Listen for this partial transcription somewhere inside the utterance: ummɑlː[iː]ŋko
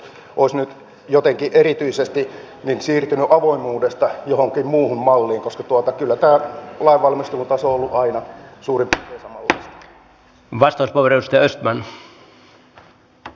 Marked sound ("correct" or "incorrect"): correct